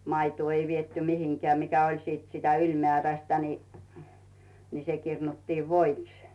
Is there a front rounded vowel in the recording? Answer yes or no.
yes